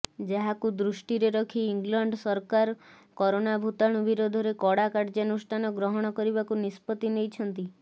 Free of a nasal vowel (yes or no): yes